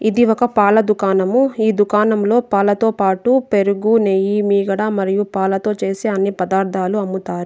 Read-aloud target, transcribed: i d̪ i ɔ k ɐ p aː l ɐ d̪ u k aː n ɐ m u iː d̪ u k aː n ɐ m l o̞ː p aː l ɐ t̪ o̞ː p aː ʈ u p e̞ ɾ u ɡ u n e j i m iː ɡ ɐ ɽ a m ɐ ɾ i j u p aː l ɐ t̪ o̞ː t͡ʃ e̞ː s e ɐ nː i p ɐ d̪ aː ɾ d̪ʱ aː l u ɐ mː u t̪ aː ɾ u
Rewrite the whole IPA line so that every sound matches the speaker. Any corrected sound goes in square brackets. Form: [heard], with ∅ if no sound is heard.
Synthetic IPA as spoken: i d̪ i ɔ k ɐ p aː l ɐ d̪ u k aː n ɐ m u iː d̪ u k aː n ɐ m l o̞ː p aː l ɐ t̪ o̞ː p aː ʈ u p e̞ ɾ u ɡ u n e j i m iː ɡ ɐ ɽ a m ɐ ɾ i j u p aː l ɐ t̪ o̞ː t͡ʃ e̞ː s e ɐ nː i p ɐ d̪ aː ɾ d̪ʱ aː l u ɐ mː u t̪ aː ɾ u

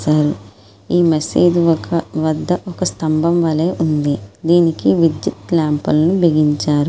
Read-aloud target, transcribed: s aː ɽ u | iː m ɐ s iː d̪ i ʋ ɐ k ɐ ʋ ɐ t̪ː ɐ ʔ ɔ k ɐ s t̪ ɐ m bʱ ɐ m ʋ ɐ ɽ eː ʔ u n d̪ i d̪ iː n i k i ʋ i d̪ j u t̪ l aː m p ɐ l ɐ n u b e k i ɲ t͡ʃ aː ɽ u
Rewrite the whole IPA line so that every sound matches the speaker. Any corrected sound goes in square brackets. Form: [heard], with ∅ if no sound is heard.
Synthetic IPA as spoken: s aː [ɾ] u | iː m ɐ s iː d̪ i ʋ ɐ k ɐ ʋ ɐ [d̪ː] ɐ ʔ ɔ k ɐ s t̪ ɐ m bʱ ɐ m ʋ ɐ [l] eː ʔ u n d̪ i d̪ iː n i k i ʋ i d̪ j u t̪ l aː m p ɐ l ɐ n u b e [ɡ] i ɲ t͡ʃ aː [ɾ] u

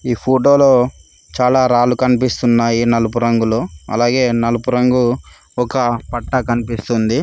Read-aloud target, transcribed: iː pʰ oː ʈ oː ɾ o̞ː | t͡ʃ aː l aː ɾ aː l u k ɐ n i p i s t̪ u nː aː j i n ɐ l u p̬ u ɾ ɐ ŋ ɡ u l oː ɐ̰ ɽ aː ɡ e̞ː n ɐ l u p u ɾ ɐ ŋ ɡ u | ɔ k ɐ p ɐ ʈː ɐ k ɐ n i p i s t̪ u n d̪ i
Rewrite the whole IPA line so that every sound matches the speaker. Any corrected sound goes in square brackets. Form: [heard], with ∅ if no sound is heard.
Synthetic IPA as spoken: iː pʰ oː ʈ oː [l] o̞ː | t͡ʃ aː l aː ɾ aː l u k ɐ n i p i s t̪ u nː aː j i n ɐ l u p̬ u ɾ ɐ ŋ ɡ u l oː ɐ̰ [l] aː ɡ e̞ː n ɐ l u p u ɾ ɐ ŋ ɡ u | ɔ k ɐ p ɐ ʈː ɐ k ɐ n i p i s t̪ u n d̪ i

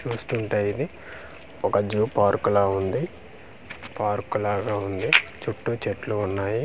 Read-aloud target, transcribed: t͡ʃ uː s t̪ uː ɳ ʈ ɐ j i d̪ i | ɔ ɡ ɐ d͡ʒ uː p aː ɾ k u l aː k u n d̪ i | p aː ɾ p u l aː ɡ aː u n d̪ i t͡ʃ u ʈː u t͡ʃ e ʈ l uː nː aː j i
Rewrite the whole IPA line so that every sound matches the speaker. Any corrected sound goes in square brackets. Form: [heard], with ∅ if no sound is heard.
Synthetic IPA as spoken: t͡ʃ uː s t̪ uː ɳ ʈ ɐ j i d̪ i | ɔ [k] ɐ d͡ʒ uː p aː ɾ k u l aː [∅] u n d̪ i | p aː ɾ [k] u l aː ɡ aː u n d̪ i t͡ʃ u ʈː u t͡ʃ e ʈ l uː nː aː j i

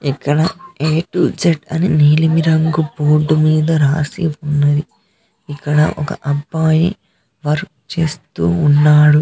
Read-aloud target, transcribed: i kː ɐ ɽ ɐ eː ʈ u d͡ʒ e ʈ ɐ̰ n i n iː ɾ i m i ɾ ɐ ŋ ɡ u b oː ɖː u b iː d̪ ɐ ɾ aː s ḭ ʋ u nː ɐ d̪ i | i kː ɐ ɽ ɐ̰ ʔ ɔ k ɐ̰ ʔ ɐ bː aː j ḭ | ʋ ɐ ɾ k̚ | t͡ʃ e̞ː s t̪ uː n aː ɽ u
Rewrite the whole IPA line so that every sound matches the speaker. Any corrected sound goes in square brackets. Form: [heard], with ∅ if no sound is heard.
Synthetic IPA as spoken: i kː ɐ ɽ ɐ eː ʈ u d͡ʒ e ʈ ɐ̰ n i n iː [l] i m i ɾ ɐ ŋ ɡ u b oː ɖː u [m] iː d̪ ɐ ɾ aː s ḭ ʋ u nː ɐ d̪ i | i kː ɐ ɽ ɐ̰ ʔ ɔ k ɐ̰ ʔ ɐ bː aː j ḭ | ʋ ɐ ɾ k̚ | t͡ʃ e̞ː s t̪ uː [nː] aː ɽ u

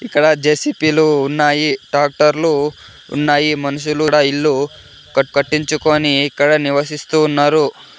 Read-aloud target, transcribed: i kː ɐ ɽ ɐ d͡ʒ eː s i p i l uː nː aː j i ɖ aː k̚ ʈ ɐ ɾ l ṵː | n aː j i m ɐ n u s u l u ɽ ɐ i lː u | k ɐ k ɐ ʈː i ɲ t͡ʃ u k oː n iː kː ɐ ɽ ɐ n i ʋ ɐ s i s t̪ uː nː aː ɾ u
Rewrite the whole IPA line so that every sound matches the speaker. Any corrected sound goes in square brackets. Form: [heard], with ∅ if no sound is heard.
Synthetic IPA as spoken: i kː ɐ ɽ ɐ d͡ʒ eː s i p i l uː nː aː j i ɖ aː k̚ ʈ ɐ ɾ l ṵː | [nː] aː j i m ɐ n u [ʃ] u l u ɽ ɐ i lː u | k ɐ k ɐ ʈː i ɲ t͡ʃ u k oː n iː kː ɐ ɽ ɐ n i ʋ ɐ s i s t̪ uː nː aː ɾ u

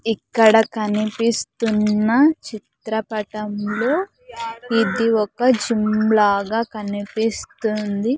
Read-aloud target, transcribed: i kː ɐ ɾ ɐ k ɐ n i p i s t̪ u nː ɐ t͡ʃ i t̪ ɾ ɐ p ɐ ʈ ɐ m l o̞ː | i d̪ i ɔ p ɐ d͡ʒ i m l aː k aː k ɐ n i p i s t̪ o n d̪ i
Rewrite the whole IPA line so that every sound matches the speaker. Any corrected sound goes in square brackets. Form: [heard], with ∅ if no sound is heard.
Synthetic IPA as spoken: i kː ɐ [ɽ] ɐ k ɐ n i p i s t̪ u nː ɐ t͡ʃ i t̪ ɾ ɐ p ɐ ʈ ɐ m l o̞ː | i d̪ i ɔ [k] ɐ d͡ʒ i m l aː [ɡ] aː k ɐ n i p i s t̪ [u] n d̪ i

